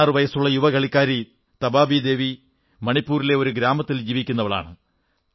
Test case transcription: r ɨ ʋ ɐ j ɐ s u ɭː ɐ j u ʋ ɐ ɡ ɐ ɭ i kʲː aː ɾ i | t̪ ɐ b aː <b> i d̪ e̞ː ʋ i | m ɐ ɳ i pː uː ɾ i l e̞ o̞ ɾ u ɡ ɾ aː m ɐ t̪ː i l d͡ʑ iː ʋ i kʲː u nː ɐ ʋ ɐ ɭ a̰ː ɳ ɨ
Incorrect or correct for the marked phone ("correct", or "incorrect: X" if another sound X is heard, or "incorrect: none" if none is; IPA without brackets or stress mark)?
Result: correct